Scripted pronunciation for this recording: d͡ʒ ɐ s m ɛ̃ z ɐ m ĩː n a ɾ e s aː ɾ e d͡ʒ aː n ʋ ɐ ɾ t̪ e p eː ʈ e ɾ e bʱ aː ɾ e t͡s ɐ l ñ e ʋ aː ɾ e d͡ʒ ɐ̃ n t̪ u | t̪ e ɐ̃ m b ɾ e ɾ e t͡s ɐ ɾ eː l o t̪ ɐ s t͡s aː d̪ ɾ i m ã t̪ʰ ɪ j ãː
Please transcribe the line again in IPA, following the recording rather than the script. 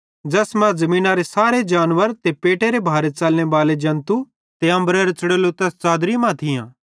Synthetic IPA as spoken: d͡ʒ ɐ s m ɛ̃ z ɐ m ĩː n a ɾ e s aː ɾ e d͡ʒ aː n ʋ ə ɾ t̪ e p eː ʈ e ɾ e bʱ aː ɾ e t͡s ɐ l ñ e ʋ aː l e d͡ʒ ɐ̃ n t̪ u | t̪ e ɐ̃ m b ɾ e ɾ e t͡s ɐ ɽ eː l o t̪ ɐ s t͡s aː d̪ ɾ i m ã t̪ʰ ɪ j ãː